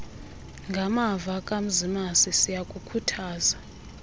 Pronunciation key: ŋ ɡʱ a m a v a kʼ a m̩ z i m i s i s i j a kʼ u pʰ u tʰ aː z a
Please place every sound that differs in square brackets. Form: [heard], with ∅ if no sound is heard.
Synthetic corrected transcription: ŋ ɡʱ a m a v a kʼ a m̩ z i m [a] s i s i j a kʼ u [kʰ] u tʰ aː z a